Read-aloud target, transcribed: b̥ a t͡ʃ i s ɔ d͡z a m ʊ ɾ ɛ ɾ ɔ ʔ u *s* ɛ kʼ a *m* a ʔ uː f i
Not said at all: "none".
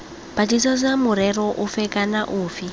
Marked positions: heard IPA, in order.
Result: f, n

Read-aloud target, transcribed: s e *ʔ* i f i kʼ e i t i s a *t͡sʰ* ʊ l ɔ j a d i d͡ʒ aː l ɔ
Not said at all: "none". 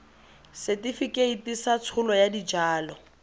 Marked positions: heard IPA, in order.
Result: t, t͡sʰ

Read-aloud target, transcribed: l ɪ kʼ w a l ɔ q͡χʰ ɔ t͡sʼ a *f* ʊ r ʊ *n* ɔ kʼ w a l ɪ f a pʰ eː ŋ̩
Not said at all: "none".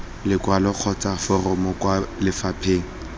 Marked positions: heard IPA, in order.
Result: f, m

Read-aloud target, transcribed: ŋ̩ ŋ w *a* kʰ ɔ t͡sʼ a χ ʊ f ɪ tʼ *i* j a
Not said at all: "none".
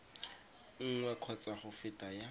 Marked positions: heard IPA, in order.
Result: ɛ, a

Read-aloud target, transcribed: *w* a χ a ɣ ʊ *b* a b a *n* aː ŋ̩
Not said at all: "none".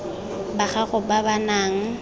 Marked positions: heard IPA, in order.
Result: b, b, n

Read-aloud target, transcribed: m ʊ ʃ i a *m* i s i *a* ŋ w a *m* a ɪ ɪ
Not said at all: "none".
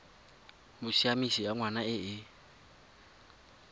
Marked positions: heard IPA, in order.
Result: m, a, n

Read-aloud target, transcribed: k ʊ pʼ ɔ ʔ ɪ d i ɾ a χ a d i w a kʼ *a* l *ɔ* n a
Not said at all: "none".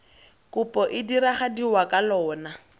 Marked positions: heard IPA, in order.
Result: a, ɔː

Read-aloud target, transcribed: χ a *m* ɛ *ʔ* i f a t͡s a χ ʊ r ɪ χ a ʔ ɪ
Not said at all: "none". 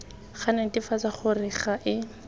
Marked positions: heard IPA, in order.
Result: n, t

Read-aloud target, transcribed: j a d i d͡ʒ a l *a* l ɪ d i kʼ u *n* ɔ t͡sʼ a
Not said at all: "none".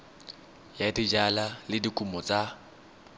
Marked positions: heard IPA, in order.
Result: a, m

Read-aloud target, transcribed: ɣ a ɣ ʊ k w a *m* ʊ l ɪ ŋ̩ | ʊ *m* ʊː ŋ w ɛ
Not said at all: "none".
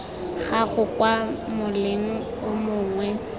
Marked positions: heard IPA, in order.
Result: m, m

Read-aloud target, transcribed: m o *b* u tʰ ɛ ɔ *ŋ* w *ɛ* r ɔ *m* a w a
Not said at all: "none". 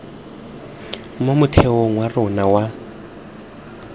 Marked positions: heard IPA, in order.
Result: m, ŋ, a, n

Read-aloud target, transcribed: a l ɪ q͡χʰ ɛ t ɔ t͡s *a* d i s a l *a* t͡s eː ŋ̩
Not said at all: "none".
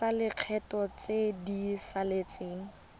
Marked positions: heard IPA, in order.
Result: e, e

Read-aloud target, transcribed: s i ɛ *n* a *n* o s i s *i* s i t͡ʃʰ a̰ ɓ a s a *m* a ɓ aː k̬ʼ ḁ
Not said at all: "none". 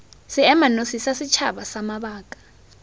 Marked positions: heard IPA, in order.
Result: m, n, a, m

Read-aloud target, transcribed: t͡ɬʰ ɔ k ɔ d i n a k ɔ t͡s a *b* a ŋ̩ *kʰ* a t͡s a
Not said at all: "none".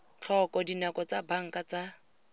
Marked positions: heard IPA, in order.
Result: b, k

